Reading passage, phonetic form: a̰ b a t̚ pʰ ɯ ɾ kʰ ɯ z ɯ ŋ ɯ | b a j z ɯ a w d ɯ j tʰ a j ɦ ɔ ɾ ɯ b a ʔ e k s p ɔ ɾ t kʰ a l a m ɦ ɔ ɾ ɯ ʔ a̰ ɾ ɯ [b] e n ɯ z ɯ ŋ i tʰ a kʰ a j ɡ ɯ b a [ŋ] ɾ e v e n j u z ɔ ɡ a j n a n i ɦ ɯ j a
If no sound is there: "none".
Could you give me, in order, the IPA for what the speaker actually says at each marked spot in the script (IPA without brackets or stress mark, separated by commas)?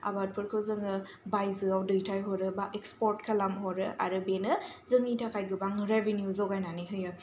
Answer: b, ŋ